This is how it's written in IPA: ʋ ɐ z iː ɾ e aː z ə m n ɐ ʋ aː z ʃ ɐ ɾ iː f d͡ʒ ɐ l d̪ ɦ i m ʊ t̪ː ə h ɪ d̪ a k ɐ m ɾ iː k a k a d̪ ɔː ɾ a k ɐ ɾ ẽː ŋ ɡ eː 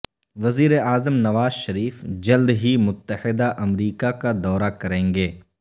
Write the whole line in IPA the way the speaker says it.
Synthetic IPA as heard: ʋ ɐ z iː ɾ e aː z ə m n ɐ ʋ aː z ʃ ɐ ɾ iː f d͡ʒ ɐ l d̪ ɦ i m ʊ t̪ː ə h ɪ d̪ a ʔ ɐ m ɾ iː k a k a d̪ ɔː ɾ a k ɐ ɾ ẽː ŋ ɡ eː

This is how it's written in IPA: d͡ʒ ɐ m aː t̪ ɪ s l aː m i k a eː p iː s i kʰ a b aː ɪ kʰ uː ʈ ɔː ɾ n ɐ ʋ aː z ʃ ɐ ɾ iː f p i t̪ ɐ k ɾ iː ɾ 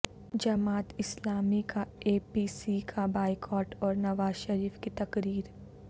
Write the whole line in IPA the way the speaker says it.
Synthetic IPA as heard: d͡ʒ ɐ m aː t̪ ɪ s l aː m i k a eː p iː s i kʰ a b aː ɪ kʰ ɔː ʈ ɔː ɾ n ɐ ʋ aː z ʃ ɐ ɾ iː f k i t̪ ɐ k ɾ iː ɾ

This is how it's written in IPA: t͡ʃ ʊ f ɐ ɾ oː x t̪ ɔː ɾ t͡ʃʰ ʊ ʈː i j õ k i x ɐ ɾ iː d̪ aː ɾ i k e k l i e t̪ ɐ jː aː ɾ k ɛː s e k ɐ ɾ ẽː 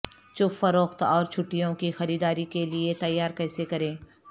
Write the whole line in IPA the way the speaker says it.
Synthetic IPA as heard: t͡ʃ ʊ f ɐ ɾ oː x t̪ ɔː ɾ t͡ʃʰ ʊ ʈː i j õ k i x ɐ ɾ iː d̪ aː ɾ i k e l i e t̪ ɐ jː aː ɾ k ɛː s e k ɐ ɾ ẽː

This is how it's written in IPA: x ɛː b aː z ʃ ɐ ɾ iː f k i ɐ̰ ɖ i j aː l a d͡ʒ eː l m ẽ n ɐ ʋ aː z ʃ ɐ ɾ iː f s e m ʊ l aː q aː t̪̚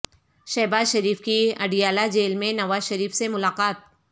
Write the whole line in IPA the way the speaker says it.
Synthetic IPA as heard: ʃ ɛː b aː z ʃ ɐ ɾ iː f k i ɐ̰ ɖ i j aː l a d͡ʒ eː l m ẽ n ɐ ʋ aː z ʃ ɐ ɾ iː f s e m ʊ l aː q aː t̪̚

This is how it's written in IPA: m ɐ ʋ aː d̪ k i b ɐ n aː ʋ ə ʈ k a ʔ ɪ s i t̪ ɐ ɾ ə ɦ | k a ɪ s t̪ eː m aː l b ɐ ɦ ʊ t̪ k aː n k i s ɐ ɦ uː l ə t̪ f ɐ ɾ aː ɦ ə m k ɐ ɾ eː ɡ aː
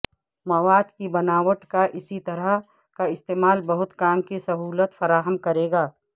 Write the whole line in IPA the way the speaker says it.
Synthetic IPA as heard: m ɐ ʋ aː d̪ k i b ɐ n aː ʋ ə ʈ k a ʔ ɪ s i t̪ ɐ ɾ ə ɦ | k a ɪ s t̪ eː m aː l b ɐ ɦ ʊ t̪ k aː m k i s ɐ ɦ uː l ə t̪ f ɐ ɾ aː ɦ ə m k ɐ ɾ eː ɡ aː

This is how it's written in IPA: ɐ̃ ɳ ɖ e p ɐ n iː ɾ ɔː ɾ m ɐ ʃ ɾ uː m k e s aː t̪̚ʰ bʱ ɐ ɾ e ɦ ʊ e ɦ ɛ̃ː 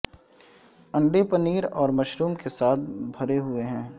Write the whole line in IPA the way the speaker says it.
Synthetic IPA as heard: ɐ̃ ɳ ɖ e p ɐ n iː ɾ ɔː ɾ m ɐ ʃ ɾ uː m k e s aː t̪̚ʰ bʱ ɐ ɾ e ɦ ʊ e ɦ ɛ̃ː

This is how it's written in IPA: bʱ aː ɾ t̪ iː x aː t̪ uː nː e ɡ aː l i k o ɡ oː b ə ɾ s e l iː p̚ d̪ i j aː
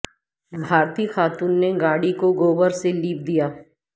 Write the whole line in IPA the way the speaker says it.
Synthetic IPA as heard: bʱ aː ɾ t̪ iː x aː t̪ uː nː e ɡ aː ɽ i k o ɡ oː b ə ɾ s e l iː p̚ d̪ i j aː

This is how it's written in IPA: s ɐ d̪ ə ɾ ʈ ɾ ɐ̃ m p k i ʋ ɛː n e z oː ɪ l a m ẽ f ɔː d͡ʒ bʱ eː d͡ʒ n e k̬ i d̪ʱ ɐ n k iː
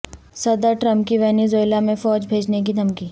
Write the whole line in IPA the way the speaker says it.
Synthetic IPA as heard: s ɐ d̪ ə ɾ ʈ ɾ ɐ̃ m p k i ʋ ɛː n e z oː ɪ l a m ẽ f ɔː d͡ʒ bʱ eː d͡ʒ n e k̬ i d̪ʱ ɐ m k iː

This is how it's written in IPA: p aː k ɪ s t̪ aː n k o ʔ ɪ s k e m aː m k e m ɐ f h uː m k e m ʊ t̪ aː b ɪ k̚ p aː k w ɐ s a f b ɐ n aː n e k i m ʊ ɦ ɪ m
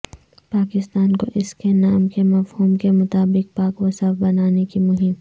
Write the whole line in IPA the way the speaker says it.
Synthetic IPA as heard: p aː k ɪ s t̪ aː n k o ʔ ɪ s k e n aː m k e m ɐ f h uː m k e m ʊ t̪ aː b ɪ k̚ p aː k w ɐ s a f b ɐ n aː n e k i m ʊ ɦ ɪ m

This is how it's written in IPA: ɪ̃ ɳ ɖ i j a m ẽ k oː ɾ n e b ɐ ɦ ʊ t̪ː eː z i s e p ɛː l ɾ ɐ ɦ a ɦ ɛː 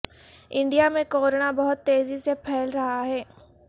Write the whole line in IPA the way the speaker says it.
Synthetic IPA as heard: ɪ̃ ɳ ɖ i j a m ẽ k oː ɾ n a b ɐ ɦ ʊ t̪ː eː z i s e pʰ ɛː l ɾ ɐ ɦ a ɦ ɛː

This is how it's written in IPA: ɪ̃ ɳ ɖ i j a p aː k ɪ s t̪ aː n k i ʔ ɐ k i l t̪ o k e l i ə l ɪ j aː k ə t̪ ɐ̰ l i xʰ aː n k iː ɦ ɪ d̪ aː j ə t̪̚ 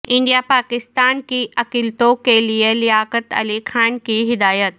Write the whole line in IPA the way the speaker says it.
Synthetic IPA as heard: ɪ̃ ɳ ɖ i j a p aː k ɪ s t̪ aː n k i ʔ ɐ k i l t̪ o k e l i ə l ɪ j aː k ə t̪ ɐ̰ l i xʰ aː n k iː ɦ ɪ d̪ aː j ə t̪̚

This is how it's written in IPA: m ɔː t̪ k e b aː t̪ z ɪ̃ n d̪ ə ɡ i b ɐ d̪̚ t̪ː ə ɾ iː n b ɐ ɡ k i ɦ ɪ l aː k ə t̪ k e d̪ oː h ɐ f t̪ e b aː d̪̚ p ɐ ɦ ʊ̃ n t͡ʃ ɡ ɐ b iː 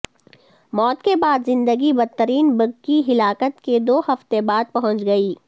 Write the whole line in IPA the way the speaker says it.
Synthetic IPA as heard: m ɔː t̪ k e b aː d̪ z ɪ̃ n d̪ ə ɡ i b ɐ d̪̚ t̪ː ə ɾ iː n b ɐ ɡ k i ɦ ɪ l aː k ə t̪ k e d̪ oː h ɐ f t̪ e b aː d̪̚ p ɐ ɦ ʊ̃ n t͡ʃ ɡ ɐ iː

